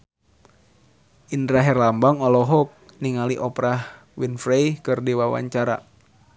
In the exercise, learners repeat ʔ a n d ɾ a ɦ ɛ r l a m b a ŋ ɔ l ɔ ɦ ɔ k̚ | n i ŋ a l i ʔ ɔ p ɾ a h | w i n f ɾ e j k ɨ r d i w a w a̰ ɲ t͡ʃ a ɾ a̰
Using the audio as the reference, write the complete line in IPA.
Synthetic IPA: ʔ i n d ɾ a ɦ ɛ r l a m b a ŋ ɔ l ɔ ɦ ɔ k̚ | n i ŋ a l i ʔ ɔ p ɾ a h | w i n f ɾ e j k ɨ r d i w a w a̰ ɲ t͡ʃ a ɾ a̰

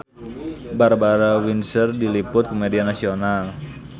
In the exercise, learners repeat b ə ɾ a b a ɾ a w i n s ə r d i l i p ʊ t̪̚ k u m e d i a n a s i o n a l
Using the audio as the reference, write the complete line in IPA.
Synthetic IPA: b a ɾ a b a ɾ a w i n s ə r d i l i p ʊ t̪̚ k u m e d i a n a s i o n a l

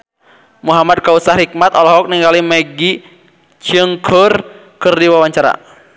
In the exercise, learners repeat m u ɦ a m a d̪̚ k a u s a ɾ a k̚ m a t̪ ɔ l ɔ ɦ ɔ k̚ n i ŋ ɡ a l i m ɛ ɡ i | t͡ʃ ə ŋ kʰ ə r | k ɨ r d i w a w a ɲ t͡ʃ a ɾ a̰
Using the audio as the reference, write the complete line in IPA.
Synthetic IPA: m u ɦ a m a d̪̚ k a u s a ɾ i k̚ m a t̪ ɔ l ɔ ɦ ɔ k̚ n i ŋ ɡ a l i m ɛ ɡ i | t͡ʃ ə ŋ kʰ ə r | k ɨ r d i w a w a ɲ t͡ʃ a ɾ a̰

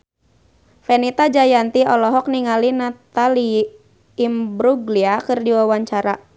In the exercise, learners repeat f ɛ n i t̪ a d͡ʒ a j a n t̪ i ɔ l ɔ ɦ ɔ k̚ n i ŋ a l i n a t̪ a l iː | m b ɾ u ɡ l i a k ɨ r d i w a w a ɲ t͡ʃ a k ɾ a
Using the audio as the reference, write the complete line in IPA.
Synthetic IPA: f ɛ n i t̪ a d͡ʒ a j a n t̪ i ɔ l ɔ ɦ ɔ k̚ n i ŋ a l i n a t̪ a l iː | m b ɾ u ɡ l i a k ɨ r d i w a w a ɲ t͡ʃ a ɾ a

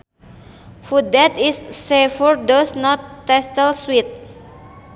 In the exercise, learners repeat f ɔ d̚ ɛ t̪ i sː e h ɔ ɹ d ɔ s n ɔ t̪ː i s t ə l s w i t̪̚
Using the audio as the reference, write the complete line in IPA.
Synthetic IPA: f u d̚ ɛ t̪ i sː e f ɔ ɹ d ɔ s n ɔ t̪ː ɛ s t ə l s w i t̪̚

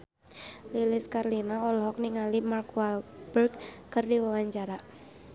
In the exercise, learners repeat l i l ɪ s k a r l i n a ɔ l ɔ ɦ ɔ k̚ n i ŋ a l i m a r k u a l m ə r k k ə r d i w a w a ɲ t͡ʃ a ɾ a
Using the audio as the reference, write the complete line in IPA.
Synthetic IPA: l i l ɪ s k a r l i n a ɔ l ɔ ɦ ɔ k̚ n i ŋ a l i m a r k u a l b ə r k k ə r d i w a w a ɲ t͡ʃ a ɾ a

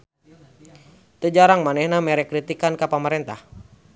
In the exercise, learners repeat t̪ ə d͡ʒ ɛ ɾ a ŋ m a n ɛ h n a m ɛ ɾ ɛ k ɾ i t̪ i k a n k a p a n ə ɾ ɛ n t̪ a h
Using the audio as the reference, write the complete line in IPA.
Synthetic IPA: t̪ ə d͡ʒ a ɾ a ŋ m a n ɛ h n a m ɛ ɾ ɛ k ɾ i t̪ i k a n k a p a m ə ɾ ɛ n t̪ a h

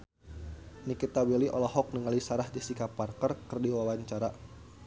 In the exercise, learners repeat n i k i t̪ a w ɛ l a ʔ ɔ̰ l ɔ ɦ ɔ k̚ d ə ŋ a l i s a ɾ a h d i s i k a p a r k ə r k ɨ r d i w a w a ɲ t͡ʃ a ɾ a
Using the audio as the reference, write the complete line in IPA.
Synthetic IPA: n i k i t̪ a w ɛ l i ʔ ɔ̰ l ɔ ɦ ɔ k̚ n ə ŋ a l i s a ɾ a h d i s i k a p a r k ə r k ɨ r d i w a w a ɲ t͡ʃ a ɾ a

